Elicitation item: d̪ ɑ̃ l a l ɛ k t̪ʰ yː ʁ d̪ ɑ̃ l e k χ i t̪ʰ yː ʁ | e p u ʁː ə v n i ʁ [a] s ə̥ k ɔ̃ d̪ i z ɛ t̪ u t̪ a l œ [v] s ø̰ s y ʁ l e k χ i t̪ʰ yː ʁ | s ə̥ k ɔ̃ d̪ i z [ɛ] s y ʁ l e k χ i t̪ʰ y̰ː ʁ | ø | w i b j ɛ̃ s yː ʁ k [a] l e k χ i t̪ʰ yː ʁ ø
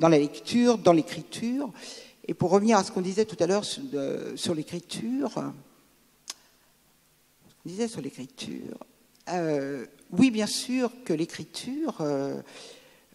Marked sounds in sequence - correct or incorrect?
correct, incorrect, correct, incorrect

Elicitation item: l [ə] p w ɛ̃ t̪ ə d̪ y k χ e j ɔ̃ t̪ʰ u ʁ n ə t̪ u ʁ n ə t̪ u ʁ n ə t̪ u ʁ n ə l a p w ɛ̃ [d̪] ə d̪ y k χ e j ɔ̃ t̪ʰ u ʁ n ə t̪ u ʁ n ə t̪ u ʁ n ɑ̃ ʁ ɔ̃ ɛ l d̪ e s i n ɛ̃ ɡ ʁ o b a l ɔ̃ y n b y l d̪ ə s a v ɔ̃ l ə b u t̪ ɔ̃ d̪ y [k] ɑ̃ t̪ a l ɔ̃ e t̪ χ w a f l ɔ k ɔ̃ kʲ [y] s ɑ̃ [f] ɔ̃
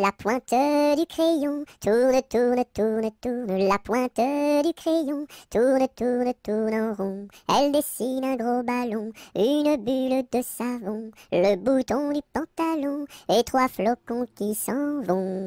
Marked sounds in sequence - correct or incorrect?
incorrect, incorrect, incorrect, incorrect, incorrect

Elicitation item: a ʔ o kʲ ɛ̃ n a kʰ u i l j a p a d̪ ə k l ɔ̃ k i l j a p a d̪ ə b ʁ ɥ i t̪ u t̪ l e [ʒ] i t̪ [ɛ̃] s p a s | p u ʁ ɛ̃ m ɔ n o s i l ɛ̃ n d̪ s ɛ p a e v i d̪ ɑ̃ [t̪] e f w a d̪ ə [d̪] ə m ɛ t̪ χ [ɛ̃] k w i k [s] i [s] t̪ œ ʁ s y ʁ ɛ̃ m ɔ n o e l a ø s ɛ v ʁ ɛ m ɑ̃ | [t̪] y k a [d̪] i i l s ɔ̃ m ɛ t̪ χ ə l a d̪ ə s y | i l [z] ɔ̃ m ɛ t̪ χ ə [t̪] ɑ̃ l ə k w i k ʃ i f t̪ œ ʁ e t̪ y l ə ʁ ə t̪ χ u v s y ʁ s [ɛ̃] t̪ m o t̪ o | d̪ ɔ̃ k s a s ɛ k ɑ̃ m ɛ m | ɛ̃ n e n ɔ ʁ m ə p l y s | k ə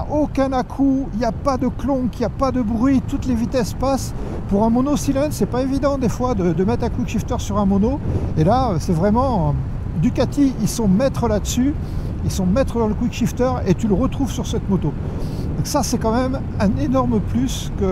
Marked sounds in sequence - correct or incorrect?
incorrect, incorrect, incorrect, correct, correct, incorrect, incorrect, incorrect, incorrect, incorrect, incorrect, incorrect

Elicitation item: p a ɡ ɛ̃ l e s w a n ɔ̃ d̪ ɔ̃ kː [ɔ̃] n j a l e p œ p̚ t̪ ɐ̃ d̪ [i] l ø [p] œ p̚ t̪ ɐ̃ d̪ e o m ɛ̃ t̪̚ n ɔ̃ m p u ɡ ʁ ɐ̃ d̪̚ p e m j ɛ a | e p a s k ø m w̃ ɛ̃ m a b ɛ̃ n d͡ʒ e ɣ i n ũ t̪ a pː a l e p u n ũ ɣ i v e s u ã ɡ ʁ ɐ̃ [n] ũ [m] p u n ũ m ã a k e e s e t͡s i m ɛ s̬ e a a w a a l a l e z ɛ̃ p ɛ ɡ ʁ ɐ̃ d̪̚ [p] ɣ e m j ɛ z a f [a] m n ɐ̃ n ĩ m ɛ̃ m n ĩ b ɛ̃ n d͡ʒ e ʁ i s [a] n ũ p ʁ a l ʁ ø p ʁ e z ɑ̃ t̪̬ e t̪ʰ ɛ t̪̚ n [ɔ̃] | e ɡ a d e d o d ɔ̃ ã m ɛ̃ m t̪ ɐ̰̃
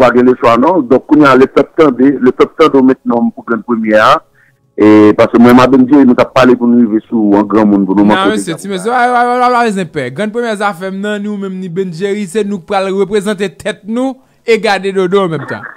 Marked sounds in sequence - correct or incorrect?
incorrect, incorrect, correct, incorrect, incorrect, correct, incorrect, incorrect, incorrect

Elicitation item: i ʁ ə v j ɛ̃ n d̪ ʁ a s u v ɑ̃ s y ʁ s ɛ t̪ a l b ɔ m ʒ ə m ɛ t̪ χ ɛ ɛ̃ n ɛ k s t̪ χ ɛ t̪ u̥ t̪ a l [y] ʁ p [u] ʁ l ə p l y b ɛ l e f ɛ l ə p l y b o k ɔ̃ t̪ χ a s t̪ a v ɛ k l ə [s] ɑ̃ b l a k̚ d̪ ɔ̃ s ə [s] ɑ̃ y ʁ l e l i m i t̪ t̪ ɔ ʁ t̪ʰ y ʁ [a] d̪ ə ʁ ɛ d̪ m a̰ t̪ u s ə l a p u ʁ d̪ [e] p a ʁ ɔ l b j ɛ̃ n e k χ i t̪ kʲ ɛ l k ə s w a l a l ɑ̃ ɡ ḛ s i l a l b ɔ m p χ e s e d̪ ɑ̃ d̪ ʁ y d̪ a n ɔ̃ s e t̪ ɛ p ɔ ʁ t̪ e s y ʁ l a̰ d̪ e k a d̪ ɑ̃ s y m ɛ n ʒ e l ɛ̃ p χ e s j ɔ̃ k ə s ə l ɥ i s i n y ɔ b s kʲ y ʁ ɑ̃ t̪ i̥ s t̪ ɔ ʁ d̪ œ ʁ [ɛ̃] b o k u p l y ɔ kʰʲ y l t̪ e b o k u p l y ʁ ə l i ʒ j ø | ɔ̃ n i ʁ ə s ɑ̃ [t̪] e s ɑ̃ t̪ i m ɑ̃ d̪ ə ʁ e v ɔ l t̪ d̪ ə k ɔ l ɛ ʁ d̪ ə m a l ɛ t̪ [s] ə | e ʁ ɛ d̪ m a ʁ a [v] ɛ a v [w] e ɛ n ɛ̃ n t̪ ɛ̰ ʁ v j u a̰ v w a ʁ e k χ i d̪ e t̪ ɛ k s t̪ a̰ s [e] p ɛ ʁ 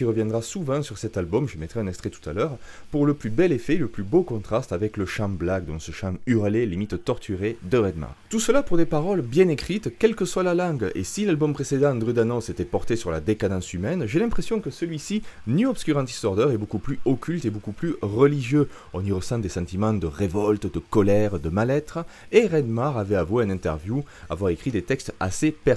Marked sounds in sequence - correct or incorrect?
incorrect, correct, incorrect, incorrect, incorrect, correct, incorrect, incorrect, incorrect, correct, correct, correct

